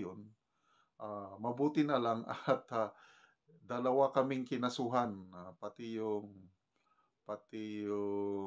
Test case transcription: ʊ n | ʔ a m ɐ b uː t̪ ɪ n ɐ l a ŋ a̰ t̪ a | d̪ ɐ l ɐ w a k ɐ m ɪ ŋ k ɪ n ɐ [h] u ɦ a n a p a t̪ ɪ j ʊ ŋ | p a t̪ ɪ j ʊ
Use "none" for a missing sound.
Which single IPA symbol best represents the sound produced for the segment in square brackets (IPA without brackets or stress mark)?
s